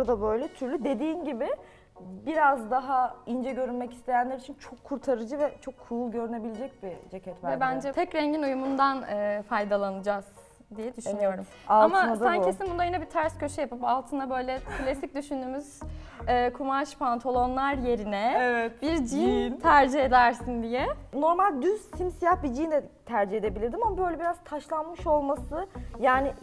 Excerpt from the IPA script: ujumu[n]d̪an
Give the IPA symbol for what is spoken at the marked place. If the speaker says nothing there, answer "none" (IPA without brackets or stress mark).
n